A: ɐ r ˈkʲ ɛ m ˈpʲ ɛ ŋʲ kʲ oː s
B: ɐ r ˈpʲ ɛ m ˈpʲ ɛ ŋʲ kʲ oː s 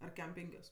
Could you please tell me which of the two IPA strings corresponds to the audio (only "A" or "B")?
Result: A